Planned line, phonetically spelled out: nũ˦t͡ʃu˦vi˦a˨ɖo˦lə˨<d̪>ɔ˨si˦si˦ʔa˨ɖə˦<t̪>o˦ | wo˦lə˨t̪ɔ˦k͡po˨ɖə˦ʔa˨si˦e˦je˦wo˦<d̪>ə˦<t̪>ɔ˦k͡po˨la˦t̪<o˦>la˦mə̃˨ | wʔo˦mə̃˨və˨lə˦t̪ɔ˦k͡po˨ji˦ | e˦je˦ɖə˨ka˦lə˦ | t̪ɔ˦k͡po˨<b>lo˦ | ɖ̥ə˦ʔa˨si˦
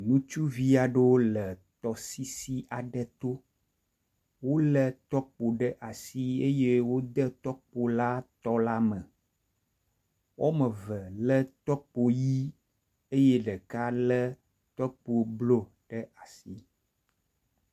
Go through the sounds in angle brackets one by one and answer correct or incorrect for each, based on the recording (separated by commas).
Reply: incorrect, correct, correct, correct, incorrect, correct